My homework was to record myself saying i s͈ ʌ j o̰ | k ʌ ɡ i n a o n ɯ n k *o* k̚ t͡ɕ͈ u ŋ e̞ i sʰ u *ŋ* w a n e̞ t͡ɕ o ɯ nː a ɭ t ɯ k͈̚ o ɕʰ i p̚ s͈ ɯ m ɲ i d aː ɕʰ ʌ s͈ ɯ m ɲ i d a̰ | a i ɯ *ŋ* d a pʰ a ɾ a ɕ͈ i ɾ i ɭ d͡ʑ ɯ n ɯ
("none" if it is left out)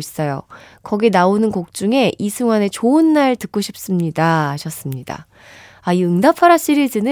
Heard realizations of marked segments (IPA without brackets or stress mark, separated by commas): o, ŋ, ŋ